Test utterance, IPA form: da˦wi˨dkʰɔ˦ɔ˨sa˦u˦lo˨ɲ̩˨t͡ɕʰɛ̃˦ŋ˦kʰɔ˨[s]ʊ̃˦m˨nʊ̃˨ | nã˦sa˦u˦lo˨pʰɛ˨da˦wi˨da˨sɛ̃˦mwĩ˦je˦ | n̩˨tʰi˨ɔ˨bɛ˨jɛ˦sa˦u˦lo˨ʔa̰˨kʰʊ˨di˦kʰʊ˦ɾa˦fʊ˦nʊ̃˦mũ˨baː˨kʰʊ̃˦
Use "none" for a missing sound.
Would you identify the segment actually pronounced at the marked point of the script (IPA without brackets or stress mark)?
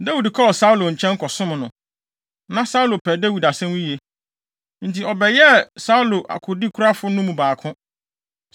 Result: s